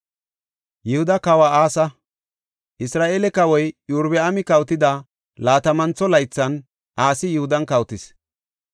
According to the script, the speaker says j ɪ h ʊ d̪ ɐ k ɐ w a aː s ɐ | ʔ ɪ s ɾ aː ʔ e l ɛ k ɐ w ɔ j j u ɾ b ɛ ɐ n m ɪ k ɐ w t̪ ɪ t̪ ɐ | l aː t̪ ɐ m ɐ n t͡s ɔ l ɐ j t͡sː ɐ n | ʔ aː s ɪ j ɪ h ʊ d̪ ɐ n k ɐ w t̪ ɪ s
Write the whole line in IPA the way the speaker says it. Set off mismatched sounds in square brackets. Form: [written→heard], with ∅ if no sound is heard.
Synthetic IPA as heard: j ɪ h ʊ d̪ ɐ k ɐ w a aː s ɐ | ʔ ɪ s ɾ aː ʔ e l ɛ k ɐ w ɔ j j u ɾ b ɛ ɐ [n→∅] m ɪ k ɐ w t̪ ɪ [t̪→d̪] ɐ | l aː t̪ ɐ m ɐ n t͡s ɔ l ɐ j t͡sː ɐ n | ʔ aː s ɪ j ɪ h ʊ d̪ ɐ n k ɐ w t̪ ɪ s